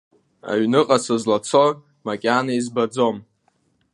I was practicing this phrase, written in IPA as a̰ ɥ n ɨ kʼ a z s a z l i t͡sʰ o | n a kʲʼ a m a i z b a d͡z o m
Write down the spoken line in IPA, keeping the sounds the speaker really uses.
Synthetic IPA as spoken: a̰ ɥ n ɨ qʼ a s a z l a t͡sʰ o | m a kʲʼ a n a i z b a d͡z o m